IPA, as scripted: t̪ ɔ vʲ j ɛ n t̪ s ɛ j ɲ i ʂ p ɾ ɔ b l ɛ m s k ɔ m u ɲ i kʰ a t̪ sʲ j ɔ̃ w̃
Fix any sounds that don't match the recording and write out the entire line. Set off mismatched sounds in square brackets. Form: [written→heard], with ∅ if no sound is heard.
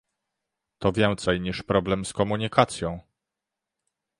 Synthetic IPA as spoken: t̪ ɔ vʲ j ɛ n t̪ s ɛ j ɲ i ʂ p ɾ ɔ b l ɛ m s k ɔ m u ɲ i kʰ a t̪ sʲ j ɔ̃ w̃